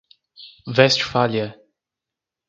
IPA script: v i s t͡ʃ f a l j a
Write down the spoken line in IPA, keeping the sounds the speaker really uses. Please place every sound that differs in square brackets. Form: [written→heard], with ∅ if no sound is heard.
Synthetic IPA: v [i→ɛ] s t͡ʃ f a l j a